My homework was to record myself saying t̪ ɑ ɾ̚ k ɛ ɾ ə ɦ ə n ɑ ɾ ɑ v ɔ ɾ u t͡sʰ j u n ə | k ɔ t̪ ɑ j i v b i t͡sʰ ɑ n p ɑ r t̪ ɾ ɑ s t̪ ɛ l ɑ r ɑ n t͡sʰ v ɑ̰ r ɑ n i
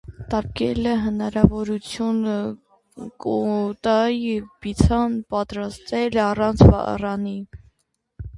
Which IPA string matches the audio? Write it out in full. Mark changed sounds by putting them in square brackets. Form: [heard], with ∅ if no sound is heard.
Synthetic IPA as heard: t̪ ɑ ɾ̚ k ɛ [l] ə ɦ ə n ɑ ɾ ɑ v ɔ ɾ u t͡sʰ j u n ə | k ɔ t̪ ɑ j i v b i t͡sʰ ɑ n p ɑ [∅] t̪ ɾ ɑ s t̪ ɛ l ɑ r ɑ n t͡sʰ v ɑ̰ r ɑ n i